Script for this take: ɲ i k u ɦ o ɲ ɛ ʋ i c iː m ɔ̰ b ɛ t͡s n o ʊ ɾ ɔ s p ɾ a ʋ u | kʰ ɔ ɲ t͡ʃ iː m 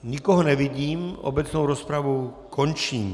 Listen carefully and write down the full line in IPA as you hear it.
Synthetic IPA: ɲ i k ɔ ɦ ɔ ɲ ɛ ʋ i ɟ iː m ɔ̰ b ɛ t͡s n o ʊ ɾ ɔ s p ɾ a ʋ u | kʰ ɔ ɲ t͡ʃ iː m